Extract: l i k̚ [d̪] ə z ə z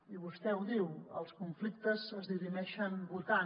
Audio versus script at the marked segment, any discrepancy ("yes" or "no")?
yes